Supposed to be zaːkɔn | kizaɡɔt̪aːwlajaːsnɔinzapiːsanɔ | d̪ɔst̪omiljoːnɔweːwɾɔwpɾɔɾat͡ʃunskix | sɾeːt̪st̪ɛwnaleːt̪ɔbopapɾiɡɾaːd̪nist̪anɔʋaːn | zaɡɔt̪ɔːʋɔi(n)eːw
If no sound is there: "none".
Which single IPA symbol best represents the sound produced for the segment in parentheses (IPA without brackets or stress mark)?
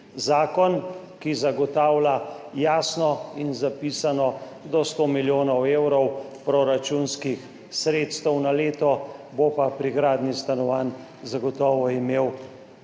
m